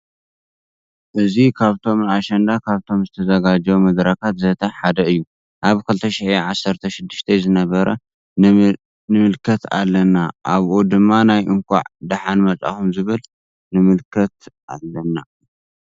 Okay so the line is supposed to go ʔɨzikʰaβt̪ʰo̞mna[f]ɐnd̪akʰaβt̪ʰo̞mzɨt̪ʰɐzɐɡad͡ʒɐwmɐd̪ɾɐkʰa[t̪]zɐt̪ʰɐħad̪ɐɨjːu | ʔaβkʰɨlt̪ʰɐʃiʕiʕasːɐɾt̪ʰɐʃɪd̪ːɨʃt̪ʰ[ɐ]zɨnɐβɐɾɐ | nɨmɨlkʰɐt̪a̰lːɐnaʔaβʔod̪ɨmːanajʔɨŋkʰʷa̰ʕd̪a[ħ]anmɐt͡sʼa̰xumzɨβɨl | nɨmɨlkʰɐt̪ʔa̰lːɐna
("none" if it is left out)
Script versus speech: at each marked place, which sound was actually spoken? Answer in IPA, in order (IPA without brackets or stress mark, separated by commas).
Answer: ʃ, t̪, ɐ, ħ